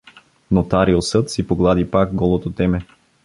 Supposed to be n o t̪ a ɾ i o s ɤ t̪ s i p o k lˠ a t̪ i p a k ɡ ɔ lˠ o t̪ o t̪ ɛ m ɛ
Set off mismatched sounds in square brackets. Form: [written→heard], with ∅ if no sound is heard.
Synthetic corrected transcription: n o t̪ a ɾ i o s ɤ t̪ s i p o [k→ɡ] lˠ a [t̪→d̪] i p a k ɡ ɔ lˠ o t̪ o t̪ ɛ m ɛ